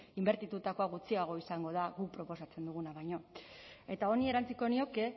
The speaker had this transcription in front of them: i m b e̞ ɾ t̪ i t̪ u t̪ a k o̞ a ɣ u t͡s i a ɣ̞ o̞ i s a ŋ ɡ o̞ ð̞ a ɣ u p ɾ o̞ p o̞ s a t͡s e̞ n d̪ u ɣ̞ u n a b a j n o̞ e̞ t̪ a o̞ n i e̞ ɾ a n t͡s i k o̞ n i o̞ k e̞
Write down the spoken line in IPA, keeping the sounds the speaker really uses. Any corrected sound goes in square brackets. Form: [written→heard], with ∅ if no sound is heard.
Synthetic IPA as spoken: i m b e̞ ɾ t̪ i t̪ u t̪ a k o̞ a ɣ u t͡s i a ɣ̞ o̞ i s a ŋ ɡ o̞ ð̞ a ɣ u p ɾ o̞ p o̞ s a t͡s e̞ n d̪ u ɣ̞ u n a [b→β] a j [n→ɲ] o̞ e̞ t̪ a o̞ n i e̞ ɾ a n t͡s i k o̞ n i o̞ k e̞